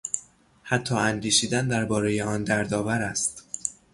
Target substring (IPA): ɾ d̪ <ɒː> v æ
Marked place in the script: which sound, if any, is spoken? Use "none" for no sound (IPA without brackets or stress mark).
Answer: ɒː